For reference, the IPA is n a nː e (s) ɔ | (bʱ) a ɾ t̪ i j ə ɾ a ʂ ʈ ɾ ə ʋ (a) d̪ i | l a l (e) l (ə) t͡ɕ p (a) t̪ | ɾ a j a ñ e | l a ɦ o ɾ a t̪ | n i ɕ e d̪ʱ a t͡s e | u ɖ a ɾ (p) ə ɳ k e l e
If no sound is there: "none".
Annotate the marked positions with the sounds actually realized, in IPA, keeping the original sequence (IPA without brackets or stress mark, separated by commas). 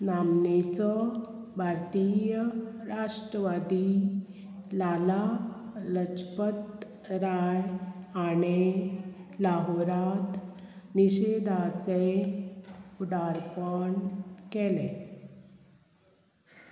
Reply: t͡s, bʱ, a, a, ə, ə, p